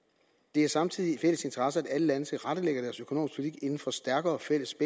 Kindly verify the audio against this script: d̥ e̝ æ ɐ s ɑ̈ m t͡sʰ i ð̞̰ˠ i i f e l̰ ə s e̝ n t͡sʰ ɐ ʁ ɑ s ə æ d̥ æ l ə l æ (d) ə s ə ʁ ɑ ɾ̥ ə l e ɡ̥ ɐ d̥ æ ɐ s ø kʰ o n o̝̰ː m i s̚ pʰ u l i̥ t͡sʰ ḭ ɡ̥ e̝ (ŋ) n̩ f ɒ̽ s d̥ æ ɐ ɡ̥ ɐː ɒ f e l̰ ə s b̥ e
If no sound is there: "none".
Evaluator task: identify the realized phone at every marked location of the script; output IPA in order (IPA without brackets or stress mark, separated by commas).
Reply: n, n